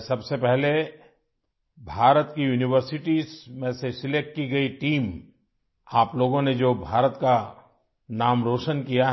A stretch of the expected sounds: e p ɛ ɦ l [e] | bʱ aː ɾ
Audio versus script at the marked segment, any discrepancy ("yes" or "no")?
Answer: no